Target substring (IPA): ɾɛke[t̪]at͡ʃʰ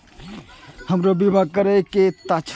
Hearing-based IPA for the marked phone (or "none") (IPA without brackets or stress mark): t̪